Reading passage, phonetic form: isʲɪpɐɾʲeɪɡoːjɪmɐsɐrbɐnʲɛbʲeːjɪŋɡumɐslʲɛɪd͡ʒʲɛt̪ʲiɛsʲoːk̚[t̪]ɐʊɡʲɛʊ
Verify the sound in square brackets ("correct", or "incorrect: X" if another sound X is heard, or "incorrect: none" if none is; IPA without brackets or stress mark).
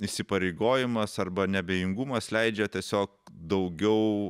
incorrect: d̪